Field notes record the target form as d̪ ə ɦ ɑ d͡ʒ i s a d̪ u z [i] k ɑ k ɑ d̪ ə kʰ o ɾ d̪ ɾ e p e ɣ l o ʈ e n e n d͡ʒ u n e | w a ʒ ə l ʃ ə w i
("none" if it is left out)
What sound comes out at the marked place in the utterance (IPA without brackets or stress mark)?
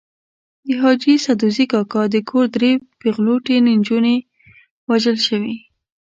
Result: i